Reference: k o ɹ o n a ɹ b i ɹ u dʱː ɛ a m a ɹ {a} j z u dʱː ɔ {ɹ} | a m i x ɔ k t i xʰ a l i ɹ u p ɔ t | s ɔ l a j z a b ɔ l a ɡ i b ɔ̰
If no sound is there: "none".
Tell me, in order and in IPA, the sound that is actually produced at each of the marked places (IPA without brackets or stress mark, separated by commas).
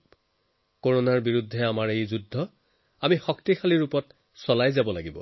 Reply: e, none